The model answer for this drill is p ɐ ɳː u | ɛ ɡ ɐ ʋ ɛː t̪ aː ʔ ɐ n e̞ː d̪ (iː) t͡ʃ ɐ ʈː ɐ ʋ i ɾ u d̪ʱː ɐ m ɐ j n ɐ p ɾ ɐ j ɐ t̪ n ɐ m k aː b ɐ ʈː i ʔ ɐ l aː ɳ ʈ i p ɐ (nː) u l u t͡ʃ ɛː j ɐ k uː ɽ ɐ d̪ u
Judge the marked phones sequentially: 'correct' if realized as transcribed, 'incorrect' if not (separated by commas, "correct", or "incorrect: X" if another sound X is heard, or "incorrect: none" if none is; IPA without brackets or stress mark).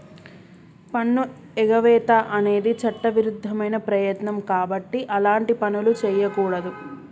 incorrect: i, incorrect: n